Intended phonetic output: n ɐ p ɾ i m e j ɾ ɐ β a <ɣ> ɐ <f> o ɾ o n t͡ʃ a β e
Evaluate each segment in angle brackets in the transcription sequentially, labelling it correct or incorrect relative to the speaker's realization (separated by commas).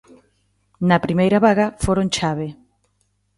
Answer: correct, correct